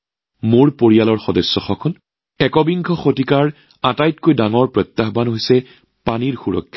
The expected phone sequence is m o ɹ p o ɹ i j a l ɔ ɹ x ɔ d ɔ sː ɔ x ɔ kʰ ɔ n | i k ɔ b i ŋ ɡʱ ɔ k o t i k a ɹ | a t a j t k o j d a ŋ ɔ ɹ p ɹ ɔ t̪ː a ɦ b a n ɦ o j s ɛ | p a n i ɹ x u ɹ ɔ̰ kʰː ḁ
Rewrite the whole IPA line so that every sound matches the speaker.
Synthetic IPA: m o ɹ p o ɹ i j a l ɔ ɹ x ɔ d ɔ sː ɔ x ɔ kʰ ɔ n | ɛ k ɔ b i ŋ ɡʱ ɔ x o t i k a ɹ | a t a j t k o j d a ŋ ɔ ɹ p ɹ ɔ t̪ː a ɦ b a n ɦ o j s ɛ | p a n i ɹ x u ɹ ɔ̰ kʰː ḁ